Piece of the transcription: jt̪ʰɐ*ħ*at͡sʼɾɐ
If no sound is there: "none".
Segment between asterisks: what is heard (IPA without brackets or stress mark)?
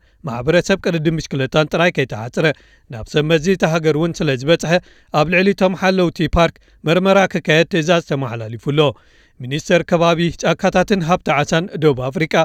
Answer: ħ